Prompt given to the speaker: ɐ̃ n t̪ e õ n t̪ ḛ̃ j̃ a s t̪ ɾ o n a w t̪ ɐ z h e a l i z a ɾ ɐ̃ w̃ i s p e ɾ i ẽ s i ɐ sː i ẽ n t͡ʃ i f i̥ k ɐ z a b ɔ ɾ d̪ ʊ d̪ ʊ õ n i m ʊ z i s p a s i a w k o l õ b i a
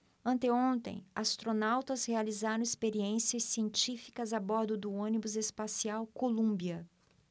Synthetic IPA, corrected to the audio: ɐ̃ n t̪ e õ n t̪ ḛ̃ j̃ a s t̪ ɾ o n a w t̪ ɐ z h e a l i z a ɾ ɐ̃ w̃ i s p e ɾ i ẽ s i ɐ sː i ẽ n t͡ʃ i f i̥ k ɐ z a b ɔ ɾ d̪ ʊ d̪ ʊ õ n i b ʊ z e s p a s i a w k o l ũ b i ɐ